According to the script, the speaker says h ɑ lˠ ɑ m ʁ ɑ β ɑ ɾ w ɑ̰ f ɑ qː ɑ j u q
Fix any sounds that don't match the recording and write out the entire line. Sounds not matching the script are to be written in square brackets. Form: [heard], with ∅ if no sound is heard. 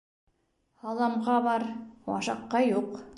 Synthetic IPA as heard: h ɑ lˠ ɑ m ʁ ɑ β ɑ ɾ w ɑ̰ [ʃ] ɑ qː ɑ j u q